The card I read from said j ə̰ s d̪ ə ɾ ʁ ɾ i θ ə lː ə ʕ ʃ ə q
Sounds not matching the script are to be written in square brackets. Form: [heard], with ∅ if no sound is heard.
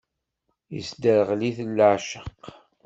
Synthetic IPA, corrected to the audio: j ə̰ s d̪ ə ɾ ʁ [l] i θ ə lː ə ʕ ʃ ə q